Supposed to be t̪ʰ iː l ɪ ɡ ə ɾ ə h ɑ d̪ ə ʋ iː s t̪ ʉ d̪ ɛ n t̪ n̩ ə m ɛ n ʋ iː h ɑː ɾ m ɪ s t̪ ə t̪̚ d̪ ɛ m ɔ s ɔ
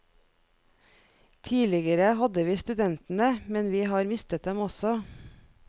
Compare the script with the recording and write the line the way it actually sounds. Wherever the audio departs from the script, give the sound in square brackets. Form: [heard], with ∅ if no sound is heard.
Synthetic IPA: t̪ʰ iː l ɪ ɡ ə ɾ ə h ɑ d̪ ə ʋ iː s t̪ ʉ d̪ ɛ n t̪ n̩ ə m ɛ n ʋ iː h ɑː ɾ m ɪ s t̪ ə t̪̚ d̪ ɛ m ɔ s ɔ